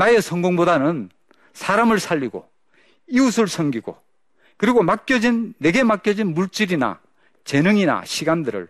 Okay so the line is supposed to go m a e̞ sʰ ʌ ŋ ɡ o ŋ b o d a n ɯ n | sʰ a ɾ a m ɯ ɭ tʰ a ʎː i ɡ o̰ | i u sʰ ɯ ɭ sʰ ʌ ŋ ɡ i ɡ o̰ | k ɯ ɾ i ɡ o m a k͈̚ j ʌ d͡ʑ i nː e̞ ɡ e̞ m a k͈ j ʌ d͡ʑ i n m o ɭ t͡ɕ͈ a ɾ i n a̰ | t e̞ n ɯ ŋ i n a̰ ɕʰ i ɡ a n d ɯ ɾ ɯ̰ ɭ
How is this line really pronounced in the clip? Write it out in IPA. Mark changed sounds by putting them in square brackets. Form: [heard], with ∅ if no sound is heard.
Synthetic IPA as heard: [n] a e̞ sʰ ʌ ŋ ɡ o ŋ b o d a n ɯ n | sʰ a ɾ a m ɯ ɭ [sʰ] a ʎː i ɡ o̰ | i u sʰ ɯ ɭ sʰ ʌ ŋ ɡ i ɡ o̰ | k ɯ ɾ i ɡ o m a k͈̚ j ʌ d͡ʑ i nː e̞ ɡ e̞ m a k͈ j ʌ d͡ʑ i n m [u] ɭ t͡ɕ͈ [i] ɾ i n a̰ | [t͡ɕ] e̞ n ɯ ŋ i n a̰ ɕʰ i ɡ a n d ɯ ɾ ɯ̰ ɭ